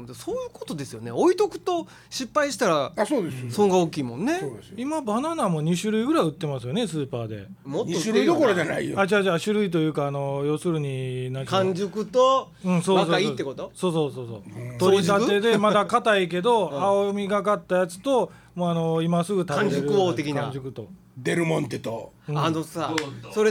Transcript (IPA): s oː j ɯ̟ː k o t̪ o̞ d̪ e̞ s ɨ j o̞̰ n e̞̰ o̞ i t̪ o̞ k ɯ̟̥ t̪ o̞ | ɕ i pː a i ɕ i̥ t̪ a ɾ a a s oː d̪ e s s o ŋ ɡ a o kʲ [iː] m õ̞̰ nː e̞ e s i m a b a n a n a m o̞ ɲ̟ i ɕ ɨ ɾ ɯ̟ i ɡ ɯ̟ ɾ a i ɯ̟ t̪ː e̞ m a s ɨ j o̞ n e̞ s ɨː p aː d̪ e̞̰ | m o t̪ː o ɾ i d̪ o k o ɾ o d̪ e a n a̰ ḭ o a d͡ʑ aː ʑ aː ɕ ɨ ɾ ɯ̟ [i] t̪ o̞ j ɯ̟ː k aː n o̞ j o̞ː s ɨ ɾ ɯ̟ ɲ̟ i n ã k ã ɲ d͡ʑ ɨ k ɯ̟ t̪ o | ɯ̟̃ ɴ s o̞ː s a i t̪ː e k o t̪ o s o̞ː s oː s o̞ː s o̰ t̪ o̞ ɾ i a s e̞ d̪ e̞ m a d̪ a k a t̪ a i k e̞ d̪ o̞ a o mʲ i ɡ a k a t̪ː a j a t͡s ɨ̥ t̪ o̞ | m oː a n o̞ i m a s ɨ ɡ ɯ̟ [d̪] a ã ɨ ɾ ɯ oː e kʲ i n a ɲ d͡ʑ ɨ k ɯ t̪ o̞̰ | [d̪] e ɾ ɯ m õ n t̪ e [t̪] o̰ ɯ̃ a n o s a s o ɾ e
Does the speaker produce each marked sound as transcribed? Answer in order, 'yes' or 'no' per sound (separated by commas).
yes, yes, no, yes, yes